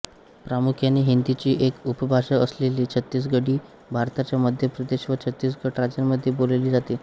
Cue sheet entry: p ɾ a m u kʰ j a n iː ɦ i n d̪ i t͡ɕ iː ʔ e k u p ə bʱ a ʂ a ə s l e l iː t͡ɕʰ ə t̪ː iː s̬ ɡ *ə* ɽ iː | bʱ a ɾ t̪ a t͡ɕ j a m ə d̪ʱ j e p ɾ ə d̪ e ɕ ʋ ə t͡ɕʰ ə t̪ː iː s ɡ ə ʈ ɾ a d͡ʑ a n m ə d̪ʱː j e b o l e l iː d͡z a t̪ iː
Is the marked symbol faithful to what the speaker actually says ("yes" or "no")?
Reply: yes